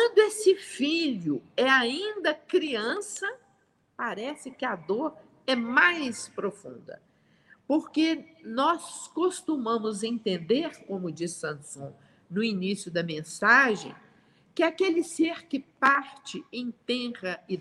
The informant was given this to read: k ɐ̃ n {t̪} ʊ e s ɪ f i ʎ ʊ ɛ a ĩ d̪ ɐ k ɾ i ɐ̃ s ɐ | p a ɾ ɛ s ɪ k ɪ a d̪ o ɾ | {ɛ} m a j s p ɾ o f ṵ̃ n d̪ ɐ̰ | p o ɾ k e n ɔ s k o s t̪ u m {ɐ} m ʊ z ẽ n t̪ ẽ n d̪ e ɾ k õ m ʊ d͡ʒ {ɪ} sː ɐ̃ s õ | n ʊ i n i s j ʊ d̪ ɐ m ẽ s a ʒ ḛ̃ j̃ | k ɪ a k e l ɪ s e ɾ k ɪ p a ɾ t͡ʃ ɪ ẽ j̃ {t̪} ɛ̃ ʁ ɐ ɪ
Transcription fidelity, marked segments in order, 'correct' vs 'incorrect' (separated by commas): incorrect, correct, incorrect, incorrect, correct